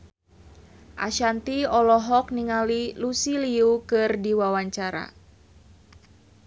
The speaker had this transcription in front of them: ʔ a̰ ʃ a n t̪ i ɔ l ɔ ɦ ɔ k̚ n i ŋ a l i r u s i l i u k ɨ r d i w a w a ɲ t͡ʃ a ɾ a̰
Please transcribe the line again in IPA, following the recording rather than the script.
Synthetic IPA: ʔ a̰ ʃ a n t̪ i ɔ l ɔ ɦ ɔ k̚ n i ŋ a l i l u s i l i u k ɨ r d i w a w a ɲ t͡ʃ a ɾ a̰